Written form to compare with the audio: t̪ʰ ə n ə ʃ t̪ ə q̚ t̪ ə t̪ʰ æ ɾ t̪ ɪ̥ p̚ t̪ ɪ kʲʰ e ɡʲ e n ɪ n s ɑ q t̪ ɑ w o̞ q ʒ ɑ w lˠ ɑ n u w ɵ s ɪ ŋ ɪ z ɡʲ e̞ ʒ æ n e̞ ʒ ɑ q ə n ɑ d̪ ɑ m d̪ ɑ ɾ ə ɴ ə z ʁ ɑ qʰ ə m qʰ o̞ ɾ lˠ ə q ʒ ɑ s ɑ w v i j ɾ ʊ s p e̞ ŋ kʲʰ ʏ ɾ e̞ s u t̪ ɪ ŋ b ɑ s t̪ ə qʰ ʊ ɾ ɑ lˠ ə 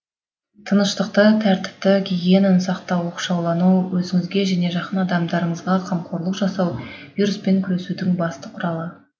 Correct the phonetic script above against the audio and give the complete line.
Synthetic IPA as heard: t̪ʰ ə n ə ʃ t̪ ə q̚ t̪ ə t̪ʰ æ ɾ t̪ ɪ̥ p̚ t̪ ɪ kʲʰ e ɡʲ e n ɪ n s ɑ q t̪ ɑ w o̞ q ʃ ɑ w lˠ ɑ n u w ɵ z ɪ ŋ ɪ z ɡʲ e̞ ʒ æ n e̞ ʒ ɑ q ə n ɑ d̪ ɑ m d̪ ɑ ɾ ə ɴ ə z ʁ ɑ qʰ ɑ m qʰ o̞ ɾ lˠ ə q ʒ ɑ s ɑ w v i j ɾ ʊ s p e̞ ŋ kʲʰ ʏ ɾ e̞ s u d̪ ɪ ŋ b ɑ s t̪ ə qʰ ʊ ɾ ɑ lˠ ə

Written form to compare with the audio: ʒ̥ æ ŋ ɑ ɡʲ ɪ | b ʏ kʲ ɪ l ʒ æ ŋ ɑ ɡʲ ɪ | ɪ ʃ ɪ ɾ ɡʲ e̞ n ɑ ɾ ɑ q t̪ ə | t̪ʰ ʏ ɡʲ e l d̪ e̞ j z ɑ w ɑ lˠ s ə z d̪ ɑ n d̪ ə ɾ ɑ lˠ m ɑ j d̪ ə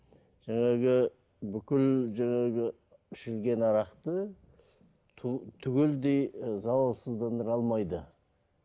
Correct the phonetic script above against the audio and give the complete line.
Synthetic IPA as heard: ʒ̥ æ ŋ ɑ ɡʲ ɪ | b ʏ kʲ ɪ l ʒ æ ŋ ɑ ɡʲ ɪ | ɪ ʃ ɪ l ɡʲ e̞ n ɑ ɾ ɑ q t̪ ə | t̪ʰ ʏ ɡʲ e l d̪ e̞ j z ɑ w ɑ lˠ s ə z d̪ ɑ n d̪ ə ɾ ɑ lˠ m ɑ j d̪ ə

